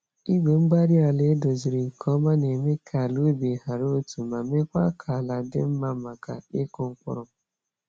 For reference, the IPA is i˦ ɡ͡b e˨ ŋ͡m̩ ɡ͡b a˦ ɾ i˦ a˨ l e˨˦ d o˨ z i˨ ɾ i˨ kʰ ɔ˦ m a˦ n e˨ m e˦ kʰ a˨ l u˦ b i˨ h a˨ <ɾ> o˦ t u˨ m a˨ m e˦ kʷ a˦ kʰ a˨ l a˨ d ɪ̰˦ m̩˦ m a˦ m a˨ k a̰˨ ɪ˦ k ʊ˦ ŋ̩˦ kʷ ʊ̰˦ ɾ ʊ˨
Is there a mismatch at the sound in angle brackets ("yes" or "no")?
no